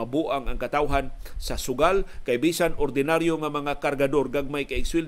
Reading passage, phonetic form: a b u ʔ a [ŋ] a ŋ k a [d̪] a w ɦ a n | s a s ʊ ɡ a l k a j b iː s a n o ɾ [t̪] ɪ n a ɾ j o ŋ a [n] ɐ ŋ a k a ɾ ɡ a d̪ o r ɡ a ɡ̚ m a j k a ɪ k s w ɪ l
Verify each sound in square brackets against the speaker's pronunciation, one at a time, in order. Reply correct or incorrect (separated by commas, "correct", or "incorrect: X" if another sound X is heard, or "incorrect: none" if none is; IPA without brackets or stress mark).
correct, incorrect: t̪, incorrect: d̪, incorrect: m